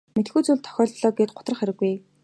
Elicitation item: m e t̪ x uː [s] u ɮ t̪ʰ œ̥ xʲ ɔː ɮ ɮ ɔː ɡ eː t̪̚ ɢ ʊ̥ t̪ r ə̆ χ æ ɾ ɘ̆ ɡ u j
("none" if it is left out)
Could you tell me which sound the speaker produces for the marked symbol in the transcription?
t͡s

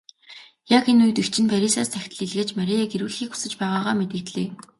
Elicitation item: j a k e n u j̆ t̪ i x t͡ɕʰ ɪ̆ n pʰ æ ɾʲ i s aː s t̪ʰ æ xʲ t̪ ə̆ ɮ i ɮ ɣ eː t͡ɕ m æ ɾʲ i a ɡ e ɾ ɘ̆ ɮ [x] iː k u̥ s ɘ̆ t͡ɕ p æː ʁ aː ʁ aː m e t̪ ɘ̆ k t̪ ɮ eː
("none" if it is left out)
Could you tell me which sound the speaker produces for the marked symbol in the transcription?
x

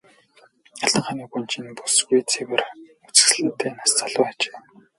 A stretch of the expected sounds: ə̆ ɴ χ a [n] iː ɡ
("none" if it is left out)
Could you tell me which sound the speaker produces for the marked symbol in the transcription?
n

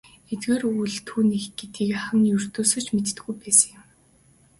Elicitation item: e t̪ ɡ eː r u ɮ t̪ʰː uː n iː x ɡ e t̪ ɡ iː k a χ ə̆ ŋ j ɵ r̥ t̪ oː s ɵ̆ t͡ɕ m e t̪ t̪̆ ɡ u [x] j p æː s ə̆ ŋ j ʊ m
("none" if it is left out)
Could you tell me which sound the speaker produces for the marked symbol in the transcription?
none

